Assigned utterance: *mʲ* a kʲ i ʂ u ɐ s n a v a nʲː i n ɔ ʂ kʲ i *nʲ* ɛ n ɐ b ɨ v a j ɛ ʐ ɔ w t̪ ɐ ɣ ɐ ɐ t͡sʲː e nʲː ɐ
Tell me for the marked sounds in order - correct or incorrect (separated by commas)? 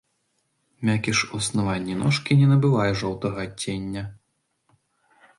correct, correct